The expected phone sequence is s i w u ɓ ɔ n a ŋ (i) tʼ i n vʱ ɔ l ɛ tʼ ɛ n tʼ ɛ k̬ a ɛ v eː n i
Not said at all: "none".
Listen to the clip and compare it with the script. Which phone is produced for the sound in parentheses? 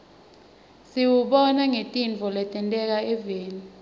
e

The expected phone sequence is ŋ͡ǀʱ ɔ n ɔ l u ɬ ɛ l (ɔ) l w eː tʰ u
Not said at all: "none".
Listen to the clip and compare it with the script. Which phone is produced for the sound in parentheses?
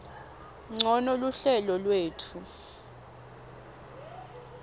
ɔ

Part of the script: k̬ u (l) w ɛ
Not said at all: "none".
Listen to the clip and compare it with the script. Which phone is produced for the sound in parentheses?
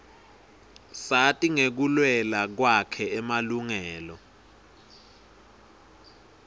l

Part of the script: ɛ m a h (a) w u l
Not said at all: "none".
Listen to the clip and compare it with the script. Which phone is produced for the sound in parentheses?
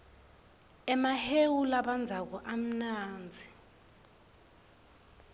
e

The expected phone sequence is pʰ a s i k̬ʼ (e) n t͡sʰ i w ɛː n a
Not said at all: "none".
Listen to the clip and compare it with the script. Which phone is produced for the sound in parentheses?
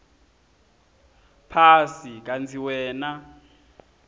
a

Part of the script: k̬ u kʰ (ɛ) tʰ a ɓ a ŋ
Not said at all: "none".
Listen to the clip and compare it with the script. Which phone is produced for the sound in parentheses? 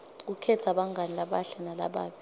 ɛ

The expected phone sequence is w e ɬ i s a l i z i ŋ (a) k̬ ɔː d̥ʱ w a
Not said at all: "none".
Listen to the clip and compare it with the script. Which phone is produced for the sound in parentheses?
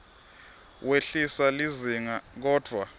a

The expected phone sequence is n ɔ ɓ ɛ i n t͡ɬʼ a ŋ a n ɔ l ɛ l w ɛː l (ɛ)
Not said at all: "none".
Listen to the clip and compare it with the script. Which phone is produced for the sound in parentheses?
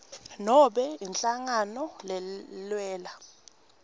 a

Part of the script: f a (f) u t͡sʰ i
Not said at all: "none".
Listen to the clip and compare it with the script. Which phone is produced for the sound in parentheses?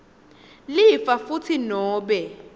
f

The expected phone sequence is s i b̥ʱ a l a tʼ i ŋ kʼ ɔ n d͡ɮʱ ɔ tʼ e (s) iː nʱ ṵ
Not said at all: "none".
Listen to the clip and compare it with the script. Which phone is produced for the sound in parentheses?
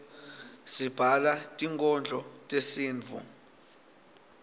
s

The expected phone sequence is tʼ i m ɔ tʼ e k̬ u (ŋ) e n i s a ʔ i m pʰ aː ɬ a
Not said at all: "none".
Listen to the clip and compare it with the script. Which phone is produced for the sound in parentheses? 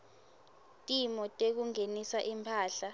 ŋ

